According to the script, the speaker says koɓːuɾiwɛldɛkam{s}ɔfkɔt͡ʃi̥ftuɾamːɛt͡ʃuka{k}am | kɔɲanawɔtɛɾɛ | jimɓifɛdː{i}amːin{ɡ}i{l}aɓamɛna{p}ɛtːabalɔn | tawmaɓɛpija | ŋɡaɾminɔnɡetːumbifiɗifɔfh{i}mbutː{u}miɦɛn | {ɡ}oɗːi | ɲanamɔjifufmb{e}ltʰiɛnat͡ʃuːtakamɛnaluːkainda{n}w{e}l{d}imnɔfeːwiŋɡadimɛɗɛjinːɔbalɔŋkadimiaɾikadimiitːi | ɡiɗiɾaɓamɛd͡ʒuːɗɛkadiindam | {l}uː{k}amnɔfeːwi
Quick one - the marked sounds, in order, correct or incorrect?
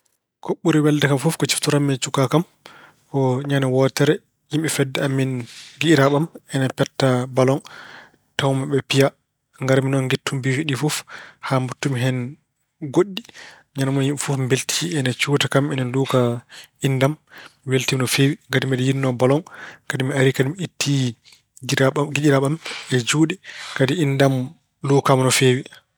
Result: incorrect, correct, incorrect, correct, incorrect, correct, incorrect, correct, correct, correct, incorrect, correct, incorrect, correct, correct

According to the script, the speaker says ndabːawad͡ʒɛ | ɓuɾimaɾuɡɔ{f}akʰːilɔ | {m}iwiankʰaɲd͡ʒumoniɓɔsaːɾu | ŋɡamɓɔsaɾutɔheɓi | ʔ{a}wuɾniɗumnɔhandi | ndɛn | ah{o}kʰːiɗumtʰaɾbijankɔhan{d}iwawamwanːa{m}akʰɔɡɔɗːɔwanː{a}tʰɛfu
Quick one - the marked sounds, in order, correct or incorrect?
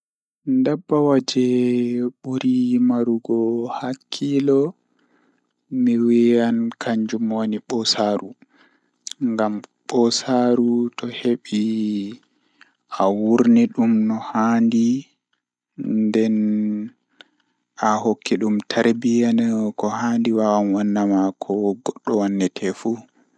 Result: incorrect, correct, correct, correct, correct, correct, incorrect

